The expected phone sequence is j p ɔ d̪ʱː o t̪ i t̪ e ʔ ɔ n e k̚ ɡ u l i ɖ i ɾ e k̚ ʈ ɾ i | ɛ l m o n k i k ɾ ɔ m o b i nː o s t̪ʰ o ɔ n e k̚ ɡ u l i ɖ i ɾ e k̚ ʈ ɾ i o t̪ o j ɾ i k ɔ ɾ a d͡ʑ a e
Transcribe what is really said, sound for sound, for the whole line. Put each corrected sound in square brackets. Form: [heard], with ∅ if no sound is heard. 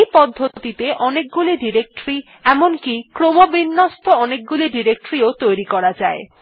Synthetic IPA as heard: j p ɔ d̪ʱː o t̪ i t̪ e ʔ ɔ n e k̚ ɡ u l i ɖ i ɾ e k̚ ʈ ɾ i | ɛ [∅] m o n k i k ɾ [o] m o b i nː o s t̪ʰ o ɔ n e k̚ ɡ u l i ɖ i ɾ e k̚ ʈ ɾ i o t̪ o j ɾ i k ɔ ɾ a d͡ʑ a e